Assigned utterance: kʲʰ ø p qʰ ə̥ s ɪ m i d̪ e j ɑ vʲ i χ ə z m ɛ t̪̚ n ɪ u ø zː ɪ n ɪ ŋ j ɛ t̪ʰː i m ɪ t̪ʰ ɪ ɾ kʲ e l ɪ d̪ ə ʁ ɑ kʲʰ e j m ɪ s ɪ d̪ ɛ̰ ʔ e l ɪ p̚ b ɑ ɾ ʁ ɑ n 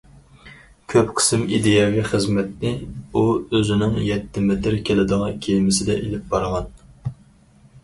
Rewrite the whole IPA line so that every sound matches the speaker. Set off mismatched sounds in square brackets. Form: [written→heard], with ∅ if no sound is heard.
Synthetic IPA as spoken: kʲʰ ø p qʰ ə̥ s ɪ m i d̪ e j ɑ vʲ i χ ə z m ɛ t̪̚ n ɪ u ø [zː→z] ɪ n ɪ ŋ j ɛ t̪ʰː [i→ɪ] m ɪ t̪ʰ ɪ ɾ kʲ e l ɪ d̪ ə ʁ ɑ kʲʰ e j m ɪ s ɪ d̪ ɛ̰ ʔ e l ɪ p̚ b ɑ ɾ ʁ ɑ n